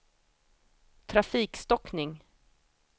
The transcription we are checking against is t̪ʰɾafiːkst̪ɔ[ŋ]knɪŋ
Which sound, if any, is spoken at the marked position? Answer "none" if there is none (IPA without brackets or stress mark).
none